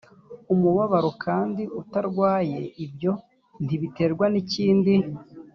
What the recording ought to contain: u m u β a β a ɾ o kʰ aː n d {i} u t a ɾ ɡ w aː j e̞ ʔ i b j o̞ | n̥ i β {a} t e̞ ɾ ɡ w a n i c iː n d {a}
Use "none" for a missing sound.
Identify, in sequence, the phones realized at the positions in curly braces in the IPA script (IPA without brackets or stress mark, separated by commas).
i, i, i